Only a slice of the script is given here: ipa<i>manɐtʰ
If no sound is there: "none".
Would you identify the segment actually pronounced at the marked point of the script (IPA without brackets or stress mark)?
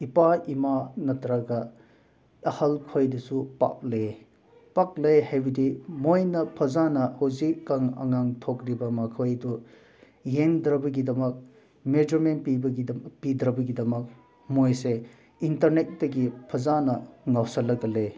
i